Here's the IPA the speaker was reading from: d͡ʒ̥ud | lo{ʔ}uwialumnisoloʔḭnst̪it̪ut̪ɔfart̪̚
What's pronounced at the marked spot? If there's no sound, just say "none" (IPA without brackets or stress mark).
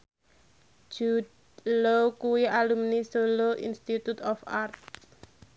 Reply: k